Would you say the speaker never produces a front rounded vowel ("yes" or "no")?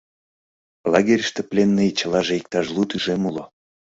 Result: no